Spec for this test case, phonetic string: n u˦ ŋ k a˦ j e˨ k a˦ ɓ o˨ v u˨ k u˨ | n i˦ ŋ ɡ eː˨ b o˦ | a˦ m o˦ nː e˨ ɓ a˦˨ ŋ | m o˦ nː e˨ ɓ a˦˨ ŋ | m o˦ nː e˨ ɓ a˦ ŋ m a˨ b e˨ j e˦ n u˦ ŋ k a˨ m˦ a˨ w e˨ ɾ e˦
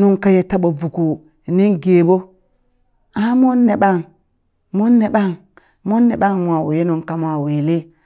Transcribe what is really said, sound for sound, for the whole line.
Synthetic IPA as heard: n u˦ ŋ k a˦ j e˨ t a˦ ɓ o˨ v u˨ k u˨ | n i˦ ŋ ɡ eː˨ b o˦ | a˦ m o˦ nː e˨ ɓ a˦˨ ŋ | m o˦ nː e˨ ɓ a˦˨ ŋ | m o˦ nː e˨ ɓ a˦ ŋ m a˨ w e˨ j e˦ n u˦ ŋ k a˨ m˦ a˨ w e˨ l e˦